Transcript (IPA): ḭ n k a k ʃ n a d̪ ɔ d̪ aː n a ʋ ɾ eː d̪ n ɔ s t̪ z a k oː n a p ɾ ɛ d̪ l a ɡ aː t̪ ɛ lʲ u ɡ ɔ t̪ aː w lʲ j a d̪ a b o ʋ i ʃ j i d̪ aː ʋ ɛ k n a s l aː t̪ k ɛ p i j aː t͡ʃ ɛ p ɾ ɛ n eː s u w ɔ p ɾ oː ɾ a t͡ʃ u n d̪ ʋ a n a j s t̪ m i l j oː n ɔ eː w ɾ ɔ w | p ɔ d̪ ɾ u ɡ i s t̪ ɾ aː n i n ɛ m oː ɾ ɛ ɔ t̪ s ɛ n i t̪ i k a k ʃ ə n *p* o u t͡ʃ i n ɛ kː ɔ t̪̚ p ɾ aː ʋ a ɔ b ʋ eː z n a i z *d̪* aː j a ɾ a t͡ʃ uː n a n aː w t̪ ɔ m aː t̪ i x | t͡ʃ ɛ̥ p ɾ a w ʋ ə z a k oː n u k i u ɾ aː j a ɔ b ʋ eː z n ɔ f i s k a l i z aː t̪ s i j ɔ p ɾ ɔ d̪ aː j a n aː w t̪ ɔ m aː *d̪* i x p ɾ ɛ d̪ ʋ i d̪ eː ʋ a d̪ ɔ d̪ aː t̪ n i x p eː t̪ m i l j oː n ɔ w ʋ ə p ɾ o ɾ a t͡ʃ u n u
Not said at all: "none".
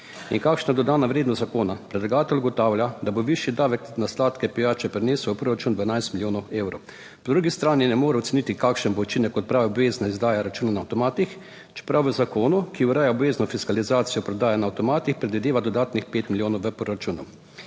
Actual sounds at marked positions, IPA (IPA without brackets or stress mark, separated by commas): b, d̪, t̪